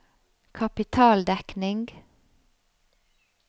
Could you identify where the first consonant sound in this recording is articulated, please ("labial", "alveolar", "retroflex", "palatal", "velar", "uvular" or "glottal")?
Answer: velar